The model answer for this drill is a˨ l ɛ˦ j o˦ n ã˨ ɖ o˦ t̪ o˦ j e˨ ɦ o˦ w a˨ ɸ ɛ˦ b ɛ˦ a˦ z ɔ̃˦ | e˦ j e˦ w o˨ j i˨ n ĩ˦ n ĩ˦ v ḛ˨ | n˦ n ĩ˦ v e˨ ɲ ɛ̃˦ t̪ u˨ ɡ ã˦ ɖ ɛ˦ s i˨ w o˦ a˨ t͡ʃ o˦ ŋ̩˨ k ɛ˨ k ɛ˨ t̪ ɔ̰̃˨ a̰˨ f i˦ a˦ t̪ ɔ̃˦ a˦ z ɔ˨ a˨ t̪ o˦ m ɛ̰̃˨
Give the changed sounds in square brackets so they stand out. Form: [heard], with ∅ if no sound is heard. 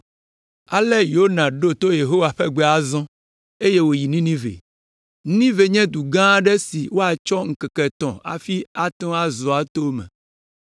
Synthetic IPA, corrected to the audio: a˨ l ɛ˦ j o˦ n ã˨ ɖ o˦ t̪ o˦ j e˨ ɦ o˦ w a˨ ɸ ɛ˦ [ɡ͡b] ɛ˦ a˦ z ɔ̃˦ | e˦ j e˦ w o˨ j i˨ n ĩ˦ n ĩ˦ v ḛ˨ | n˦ n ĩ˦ v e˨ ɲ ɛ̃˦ [d̪] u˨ ɡ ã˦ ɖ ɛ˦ s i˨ w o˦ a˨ t͡ʃ [ɔ˦] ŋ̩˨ k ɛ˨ k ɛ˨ t̪ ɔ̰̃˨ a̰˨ f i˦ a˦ t̪ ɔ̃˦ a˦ z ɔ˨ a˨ t̪ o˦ m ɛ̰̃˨